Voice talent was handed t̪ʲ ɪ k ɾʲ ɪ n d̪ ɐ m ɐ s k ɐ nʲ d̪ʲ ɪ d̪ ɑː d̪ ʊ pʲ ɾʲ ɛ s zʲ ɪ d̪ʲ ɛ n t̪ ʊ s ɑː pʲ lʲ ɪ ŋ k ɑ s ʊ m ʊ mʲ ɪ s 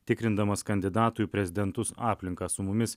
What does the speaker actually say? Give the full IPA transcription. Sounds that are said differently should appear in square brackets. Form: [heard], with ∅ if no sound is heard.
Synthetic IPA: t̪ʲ ɪ k ɾʲ ɪ n d̪ ɐ m ɐ s k ɐ nʲ d̪ʲ ɪ d̪ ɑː [t̪] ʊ pʲ ɾʲ ɛ [∅] zʲ ɪ d̪ʲ ɛ n t̪ ʊ s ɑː pʲ lʲ ɪ ŋ k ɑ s ʊ m ʊ mʲ ɪ s

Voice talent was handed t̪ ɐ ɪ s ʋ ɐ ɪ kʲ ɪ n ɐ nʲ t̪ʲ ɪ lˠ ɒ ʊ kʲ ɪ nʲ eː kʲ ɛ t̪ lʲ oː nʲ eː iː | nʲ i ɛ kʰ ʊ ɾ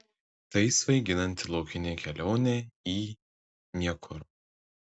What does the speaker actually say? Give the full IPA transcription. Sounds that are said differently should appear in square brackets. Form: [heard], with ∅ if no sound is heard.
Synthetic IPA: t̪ ɐ ɪ s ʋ ɐ ɪ [ɡʲ] ɪ n ɐ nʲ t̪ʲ ɪ lˠ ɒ ʊ kʲ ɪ nʲ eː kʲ ɛ [∅] lʲ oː nʲ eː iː | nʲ i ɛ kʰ ʊ ɾ

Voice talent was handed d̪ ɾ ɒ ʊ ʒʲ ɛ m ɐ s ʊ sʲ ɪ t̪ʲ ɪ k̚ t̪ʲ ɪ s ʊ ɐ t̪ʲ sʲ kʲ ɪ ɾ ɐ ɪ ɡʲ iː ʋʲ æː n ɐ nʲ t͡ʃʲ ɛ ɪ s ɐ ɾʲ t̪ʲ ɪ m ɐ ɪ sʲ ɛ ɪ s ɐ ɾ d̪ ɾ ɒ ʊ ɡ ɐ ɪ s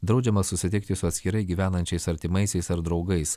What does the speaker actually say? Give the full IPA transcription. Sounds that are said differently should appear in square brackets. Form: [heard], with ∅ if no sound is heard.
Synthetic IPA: d̪ ɾ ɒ ʊ [d͡ʒʲ] ɛ m ɐ s ʊ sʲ ɪ t̪ʲ ɪ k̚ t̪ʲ ɪ s ʊ ɐ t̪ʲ sʲ kʲ ɪ ɾ ɐ ɪ ɡʲ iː ʋʲ æː n ɐ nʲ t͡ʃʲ ɛ ɪ s ɐ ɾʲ t̪ʲ ɪ m ɐ ɪ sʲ ɛ ɪ s ɐ ɾ d̪ ɾ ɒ ʊ ɡ ɐ ɪ s

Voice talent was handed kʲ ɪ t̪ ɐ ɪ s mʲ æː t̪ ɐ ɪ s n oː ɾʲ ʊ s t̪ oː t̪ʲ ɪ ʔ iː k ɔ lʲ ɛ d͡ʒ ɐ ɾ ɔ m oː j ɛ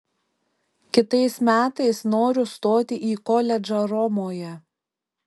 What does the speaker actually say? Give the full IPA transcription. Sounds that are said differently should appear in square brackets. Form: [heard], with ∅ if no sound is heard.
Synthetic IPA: kʲ ɪ t̪ ɐ ɪ s mʲ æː t̪ ɐ ɪ s n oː ɾʲ ʊ s t̪ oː t̪ʲ ɪ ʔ iː k ɔ lʲ ɛ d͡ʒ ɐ ɾ ɔ m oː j ɛ

